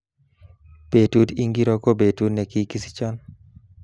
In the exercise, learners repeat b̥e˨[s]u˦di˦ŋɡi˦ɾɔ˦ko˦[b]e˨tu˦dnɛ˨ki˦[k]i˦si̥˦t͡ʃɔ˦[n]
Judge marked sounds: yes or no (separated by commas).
no, yes, yes, yes